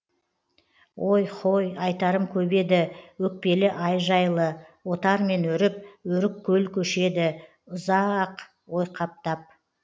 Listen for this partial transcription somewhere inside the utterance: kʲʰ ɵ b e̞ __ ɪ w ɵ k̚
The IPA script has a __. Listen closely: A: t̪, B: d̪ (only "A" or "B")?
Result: B